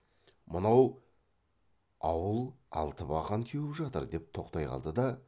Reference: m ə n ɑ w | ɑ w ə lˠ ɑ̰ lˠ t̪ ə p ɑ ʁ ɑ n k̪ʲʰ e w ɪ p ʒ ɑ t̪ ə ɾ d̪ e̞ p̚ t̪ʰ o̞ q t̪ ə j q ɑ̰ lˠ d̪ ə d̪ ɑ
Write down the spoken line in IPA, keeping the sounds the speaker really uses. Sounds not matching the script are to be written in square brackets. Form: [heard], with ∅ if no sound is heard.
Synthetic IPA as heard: m ə n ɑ w | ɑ w ə lˠ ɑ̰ lˠ t̪ ə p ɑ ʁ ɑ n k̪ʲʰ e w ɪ p ʒ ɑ t̪ ə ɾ d̪ e̞ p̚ t̪ʰ o̞ q t̪ [ɑ] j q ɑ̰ lˠ d̪ ə d̪ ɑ